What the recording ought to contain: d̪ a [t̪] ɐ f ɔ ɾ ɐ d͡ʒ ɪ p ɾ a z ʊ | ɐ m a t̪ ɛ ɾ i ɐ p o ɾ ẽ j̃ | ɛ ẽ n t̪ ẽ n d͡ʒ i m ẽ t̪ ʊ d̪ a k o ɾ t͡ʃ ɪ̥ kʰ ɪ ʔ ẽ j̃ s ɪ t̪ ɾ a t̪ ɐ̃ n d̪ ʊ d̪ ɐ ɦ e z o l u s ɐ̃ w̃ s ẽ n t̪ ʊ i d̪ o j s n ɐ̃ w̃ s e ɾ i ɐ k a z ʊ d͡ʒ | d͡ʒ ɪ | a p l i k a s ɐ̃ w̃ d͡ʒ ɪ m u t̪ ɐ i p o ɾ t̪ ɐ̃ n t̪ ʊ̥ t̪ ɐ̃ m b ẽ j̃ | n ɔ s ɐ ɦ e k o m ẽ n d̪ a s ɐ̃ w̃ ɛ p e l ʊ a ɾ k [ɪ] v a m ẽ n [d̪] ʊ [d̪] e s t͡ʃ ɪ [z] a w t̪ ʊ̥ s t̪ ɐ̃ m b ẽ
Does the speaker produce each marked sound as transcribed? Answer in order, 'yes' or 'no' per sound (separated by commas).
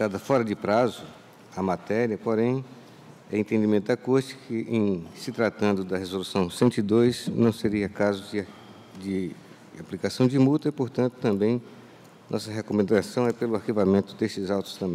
no, no, no, yes, yes